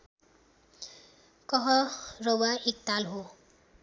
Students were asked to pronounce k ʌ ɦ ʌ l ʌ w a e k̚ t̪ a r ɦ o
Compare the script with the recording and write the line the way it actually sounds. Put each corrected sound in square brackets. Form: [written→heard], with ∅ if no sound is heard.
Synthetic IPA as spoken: k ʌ ɦ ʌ [l→r] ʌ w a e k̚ t̪ a [r→l] ɦ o